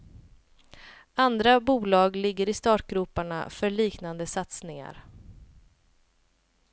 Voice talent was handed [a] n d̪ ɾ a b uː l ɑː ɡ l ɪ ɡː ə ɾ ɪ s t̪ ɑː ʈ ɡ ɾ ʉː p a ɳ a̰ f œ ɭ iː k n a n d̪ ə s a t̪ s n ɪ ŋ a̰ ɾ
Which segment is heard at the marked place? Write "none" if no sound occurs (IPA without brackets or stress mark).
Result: a